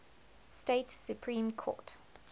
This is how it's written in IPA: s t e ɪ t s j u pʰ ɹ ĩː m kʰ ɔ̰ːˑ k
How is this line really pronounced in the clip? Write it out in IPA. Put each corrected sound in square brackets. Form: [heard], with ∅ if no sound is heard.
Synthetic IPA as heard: s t e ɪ t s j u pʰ ɹ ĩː m kʰ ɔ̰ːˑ [t]